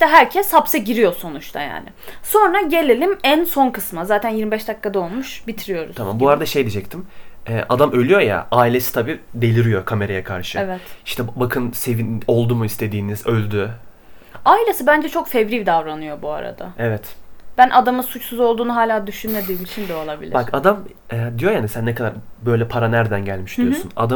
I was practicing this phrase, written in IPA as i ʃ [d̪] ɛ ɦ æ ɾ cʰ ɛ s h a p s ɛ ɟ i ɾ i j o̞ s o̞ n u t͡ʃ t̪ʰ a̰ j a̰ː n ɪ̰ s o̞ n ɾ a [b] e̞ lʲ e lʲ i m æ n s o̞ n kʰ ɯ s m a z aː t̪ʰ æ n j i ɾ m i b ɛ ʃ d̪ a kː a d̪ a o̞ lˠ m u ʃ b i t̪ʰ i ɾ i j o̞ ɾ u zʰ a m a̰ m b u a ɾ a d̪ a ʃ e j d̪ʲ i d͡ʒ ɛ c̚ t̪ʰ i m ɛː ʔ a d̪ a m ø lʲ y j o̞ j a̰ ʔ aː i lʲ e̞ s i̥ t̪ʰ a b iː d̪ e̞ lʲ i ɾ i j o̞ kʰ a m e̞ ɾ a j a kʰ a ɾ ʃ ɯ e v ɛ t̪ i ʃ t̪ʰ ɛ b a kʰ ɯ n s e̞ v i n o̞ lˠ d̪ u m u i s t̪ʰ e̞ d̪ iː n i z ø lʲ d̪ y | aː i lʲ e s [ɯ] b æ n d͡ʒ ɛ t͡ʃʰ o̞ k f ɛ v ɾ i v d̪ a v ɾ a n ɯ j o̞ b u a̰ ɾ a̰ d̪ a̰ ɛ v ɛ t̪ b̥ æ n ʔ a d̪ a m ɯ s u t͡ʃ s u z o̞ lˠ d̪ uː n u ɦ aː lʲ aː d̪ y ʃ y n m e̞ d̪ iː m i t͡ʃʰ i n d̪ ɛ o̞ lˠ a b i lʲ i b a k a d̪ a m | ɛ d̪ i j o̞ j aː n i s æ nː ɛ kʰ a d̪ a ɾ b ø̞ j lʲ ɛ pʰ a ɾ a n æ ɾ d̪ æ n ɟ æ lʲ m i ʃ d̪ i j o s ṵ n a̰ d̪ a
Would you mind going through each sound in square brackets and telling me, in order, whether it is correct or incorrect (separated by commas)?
incorrect, incorrect, correct